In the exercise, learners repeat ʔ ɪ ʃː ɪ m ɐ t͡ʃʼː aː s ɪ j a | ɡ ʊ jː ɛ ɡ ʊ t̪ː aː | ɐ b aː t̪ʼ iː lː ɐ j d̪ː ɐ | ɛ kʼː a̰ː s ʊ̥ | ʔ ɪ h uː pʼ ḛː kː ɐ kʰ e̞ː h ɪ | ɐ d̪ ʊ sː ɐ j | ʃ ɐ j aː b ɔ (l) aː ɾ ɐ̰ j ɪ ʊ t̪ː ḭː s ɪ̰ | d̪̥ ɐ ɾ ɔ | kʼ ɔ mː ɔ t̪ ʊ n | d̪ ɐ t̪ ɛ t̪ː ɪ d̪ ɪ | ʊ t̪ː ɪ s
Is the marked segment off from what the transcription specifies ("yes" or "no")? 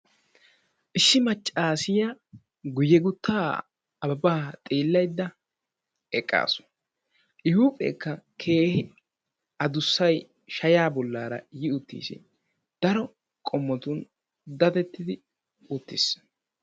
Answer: yes